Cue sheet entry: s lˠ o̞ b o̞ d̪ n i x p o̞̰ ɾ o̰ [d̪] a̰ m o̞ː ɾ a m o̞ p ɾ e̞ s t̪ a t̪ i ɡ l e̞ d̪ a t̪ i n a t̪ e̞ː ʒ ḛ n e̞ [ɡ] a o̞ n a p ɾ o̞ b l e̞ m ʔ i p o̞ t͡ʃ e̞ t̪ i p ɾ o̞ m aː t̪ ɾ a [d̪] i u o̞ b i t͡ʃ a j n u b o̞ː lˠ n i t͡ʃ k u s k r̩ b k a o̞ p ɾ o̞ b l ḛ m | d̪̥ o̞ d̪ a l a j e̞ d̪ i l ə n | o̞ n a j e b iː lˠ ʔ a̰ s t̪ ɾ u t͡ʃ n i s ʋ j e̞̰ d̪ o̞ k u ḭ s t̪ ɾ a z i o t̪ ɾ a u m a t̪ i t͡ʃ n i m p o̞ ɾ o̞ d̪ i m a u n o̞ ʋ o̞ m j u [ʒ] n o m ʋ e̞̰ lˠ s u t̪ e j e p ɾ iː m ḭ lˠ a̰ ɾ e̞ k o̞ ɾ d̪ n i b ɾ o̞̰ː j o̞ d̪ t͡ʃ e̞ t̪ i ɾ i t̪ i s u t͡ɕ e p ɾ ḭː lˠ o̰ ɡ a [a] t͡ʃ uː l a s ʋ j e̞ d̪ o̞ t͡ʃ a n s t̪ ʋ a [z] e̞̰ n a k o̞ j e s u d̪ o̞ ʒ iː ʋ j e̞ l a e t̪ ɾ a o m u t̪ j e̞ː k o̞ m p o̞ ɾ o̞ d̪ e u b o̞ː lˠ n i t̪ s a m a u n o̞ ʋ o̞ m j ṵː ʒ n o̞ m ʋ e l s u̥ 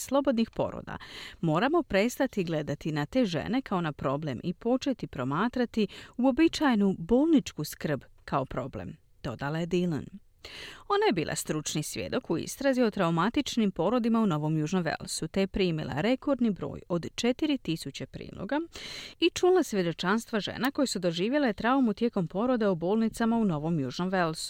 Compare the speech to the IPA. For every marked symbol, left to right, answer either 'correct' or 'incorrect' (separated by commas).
correct, incorrect, incorrect, correct, incorrect, incorrect